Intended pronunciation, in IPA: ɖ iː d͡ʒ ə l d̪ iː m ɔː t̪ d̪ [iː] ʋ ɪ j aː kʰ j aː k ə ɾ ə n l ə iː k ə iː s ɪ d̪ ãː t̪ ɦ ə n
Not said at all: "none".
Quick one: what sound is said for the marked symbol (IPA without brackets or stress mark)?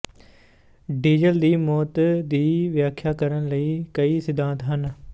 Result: iː